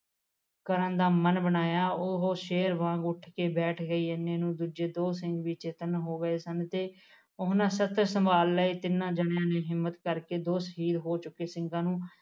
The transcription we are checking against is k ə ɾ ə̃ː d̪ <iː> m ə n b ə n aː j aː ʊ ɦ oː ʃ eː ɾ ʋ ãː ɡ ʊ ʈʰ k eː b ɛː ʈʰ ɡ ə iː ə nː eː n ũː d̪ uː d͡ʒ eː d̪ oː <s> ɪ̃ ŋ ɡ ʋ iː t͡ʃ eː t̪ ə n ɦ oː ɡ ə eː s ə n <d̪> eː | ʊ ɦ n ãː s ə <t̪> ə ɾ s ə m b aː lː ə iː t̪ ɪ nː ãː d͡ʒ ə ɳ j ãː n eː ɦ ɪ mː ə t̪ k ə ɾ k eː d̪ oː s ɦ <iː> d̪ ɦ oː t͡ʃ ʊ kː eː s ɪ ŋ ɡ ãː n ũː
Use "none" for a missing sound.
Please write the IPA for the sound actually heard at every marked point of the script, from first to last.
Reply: aː, s, t̪, t̪, iː

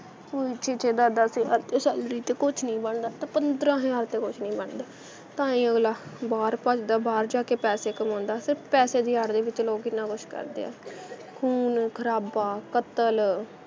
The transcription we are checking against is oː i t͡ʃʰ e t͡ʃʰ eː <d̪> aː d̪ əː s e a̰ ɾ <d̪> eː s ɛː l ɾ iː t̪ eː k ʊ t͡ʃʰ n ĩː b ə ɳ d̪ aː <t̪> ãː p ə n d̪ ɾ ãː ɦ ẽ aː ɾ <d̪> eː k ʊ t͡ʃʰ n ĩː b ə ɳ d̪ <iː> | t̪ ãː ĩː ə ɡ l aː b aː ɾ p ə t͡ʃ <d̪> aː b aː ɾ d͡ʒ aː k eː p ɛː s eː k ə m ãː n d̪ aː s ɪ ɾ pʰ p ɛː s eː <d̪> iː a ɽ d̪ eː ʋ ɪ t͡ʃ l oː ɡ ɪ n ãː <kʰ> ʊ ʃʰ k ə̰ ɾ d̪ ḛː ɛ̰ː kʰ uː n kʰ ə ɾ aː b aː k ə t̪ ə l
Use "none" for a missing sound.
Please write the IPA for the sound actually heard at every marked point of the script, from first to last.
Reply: d̪, t̪, t̪, t̪, aː, d̪, d̪, k

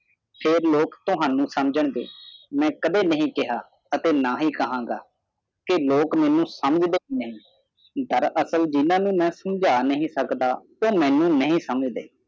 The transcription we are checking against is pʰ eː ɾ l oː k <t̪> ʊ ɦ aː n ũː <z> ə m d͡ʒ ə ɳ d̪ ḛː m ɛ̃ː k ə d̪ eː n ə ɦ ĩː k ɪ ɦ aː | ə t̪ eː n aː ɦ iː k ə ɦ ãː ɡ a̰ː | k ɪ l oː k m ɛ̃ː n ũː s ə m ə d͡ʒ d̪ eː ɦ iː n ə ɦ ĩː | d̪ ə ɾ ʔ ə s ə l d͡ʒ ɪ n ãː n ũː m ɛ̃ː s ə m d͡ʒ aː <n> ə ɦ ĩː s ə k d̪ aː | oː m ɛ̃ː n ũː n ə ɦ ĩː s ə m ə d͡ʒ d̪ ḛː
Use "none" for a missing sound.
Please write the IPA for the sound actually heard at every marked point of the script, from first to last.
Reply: t̪, s, n

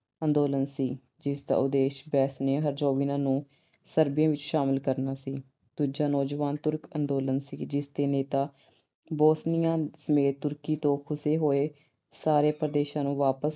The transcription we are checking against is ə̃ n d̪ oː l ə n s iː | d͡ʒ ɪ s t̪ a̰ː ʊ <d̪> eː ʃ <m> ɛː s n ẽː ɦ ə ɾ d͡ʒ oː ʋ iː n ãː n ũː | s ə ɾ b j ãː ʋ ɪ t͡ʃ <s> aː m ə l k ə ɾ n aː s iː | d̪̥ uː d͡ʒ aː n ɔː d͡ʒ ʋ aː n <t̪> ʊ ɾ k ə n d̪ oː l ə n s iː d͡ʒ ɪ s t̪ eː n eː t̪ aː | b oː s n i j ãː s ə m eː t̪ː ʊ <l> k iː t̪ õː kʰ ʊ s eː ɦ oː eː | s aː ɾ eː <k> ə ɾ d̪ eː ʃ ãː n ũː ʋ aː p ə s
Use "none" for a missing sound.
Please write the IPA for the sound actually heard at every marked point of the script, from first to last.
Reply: d̪, b, ʃ, t̪, ɾ, p

